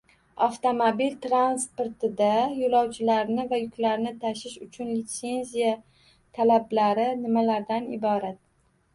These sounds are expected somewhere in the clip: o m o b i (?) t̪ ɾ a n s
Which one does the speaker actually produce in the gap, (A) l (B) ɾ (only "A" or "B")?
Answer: A